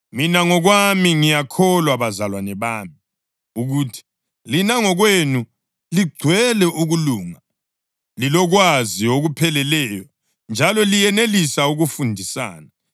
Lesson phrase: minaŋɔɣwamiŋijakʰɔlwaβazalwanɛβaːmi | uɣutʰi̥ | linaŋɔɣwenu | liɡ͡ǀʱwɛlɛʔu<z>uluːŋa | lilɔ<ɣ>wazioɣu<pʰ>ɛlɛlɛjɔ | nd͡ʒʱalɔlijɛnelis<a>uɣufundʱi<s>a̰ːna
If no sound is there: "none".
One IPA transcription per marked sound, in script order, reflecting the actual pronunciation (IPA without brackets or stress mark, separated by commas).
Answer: ɣ, ɣ, pʰ, a, s